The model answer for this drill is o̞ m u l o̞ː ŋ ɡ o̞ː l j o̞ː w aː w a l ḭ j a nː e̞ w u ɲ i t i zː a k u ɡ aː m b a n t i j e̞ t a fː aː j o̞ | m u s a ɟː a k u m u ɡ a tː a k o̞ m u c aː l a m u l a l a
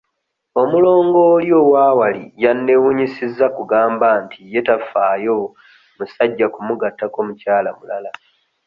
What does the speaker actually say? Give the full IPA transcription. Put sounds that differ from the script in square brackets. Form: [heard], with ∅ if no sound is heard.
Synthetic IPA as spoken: o̞ m u l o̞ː ŋ ɡ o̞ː l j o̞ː w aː w a l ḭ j a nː e̞ w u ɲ i [s] i zː a k u ɡ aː m b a n t i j e̞ t a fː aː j o̞ | m u s a ɟː a k u m u ɡ a tː a k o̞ m u c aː l a m u l a l a